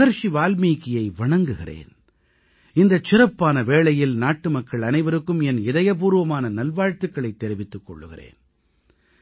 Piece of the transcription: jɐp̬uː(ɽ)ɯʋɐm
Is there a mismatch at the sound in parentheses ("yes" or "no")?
yes